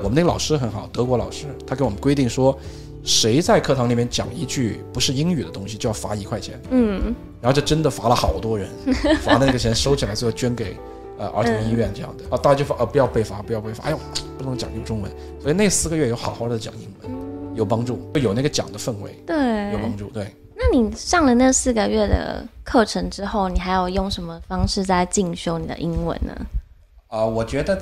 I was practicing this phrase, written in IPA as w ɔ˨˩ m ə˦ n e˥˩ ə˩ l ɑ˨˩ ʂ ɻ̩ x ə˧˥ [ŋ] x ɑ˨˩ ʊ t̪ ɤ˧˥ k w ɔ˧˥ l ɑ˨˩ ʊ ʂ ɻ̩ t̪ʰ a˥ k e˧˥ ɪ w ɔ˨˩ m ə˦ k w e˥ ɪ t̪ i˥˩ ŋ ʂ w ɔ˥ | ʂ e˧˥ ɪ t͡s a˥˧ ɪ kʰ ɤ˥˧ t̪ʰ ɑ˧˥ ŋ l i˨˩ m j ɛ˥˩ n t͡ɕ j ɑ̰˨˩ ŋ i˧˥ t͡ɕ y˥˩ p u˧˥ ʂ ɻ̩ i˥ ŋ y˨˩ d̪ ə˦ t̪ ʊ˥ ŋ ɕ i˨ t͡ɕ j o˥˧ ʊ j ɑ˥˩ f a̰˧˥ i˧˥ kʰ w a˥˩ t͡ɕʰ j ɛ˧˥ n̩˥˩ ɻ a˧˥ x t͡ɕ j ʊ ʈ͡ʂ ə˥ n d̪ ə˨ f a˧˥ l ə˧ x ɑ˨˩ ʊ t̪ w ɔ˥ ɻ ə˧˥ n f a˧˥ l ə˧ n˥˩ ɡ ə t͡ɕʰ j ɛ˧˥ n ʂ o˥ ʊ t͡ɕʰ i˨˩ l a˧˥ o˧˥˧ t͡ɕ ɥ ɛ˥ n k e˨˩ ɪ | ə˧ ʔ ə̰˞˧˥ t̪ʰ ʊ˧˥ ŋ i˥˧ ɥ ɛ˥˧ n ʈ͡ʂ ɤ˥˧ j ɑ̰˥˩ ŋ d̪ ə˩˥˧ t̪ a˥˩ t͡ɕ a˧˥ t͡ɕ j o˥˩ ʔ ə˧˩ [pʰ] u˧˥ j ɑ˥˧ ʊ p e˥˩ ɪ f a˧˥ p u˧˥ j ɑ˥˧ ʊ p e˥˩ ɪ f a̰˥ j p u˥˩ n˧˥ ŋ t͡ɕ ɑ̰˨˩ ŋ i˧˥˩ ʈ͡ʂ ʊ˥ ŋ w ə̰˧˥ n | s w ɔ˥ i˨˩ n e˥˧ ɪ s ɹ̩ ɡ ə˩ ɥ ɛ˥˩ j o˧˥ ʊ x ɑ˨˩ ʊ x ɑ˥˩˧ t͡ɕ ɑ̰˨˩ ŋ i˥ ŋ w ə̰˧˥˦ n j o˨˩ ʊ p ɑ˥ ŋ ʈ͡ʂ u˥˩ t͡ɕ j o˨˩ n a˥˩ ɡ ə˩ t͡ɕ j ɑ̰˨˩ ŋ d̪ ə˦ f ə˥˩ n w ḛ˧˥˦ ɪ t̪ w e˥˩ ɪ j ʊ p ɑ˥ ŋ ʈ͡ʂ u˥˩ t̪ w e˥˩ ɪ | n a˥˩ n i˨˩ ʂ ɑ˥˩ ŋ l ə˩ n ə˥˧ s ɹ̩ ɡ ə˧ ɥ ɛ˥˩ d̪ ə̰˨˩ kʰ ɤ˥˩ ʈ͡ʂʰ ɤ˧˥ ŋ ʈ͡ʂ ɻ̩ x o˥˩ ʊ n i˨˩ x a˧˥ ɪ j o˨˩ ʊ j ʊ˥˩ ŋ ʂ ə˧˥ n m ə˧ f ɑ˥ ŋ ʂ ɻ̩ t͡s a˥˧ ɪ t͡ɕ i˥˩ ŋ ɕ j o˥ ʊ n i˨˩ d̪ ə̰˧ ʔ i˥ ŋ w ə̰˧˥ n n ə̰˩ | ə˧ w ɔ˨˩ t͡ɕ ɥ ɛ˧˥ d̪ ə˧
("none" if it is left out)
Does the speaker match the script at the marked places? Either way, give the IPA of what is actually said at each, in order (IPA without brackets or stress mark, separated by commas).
n, p